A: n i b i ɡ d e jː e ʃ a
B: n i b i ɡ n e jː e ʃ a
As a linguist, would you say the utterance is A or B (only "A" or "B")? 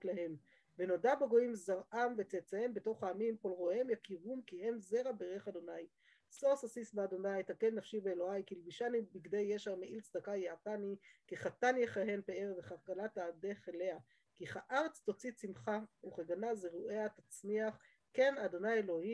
A